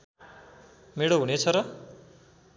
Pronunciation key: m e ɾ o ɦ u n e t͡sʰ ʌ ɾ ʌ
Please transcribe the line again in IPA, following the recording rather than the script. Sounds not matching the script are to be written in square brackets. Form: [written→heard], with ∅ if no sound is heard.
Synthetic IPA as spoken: m e [ɾ→ɽ] o ɦ u n e t͡sʰ ʌ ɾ ʌ